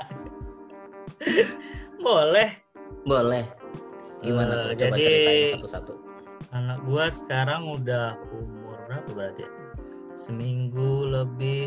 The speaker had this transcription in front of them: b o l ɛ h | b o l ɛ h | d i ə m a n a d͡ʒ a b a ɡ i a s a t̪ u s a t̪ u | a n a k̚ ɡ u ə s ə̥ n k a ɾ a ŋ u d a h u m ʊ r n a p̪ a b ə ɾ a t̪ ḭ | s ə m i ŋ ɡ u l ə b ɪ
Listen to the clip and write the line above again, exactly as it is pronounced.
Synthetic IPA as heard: b o l ɛ h | b o l ɛ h | ɡ i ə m a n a d͡ʒ a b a d i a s a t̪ u s a t̪ u | a n a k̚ ɡ u a s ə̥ k a ɾ a ŋ u d a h u m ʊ r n a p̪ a b ə ɾ a t̪ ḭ | s ə m i ŋ ɡ u l ə b ɪ